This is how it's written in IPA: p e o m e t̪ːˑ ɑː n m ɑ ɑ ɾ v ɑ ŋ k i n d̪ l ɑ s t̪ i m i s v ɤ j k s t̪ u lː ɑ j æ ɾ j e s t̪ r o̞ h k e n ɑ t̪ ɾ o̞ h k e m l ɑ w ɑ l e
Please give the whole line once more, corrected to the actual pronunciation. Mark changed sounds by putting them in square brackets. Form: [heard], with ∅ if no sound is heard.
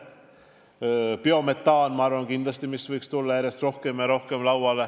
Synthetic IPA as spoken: p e o m e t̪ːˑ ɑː n m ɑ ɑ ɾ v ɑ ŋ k i n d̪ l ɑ s t̪ i m i s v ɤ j k s t̪ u lː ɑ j æ ɾ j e s t̪ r o̞ h k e [m] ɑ [∅] ɾ o̞ h k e m l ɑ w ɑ l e